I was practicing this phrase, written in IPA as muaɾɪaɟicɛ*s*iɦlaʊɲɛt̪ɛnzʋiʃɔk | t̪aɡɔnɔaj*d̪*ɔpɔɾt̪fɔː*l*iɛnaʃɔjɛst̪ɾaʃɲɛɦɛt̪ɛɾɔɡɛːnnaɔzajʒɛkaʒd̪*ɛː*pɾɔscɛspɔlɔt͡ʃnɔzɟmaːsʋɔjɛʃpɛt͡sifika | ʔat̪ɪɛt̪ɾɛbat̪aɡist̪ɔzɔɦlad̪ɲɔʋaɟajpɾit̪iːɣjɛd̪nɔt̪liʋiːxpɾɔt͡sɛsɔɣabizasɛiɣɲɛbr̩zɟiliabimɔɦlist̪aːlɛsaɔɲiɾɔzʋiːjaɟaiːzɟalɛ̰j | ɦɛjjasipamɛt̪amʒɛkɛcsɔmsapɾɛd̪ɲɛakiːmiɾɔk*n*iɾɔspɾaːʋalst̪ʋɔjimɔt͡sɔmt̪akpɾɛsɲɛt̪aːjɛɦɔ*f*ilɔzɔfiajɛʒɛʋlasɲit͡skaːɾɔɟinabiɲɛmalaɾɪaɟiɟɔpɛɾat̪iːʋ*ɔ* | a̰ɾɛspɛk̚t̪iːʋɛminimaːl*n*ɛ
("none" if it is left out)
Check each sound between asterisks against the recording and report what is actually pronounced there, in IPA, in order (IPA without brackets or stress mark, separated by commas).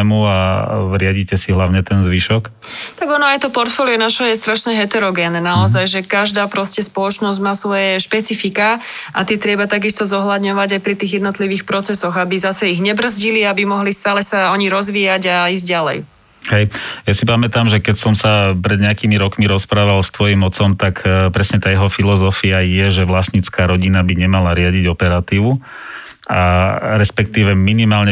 s, t̪, l, aː, m, f, u, ɲ